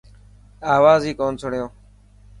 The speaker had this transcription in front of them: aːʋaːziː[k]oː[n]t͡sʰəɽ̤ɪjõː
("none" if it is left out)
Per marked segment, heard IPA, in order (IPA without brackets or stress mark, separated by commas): k, n